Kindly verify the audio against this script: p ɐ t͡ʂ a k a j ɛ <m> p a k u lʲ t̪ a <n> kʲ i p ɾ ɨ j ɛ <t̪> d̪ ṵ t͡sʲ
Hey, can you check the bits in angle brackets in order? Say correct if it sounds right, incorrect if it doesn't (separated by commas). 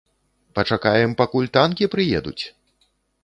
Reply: correct, correct, incorrect